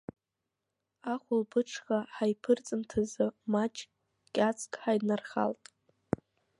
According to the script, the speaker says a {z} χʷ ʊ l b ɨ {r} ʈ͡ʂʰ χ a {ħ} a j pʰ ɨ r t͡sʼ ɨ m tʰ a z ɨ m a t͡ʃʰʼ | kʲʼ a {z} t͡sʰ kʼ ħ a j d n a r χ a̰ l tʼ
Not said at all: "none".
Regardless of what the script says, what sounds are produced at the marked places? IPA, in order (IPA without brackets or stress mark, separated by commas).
none, none, ħ, none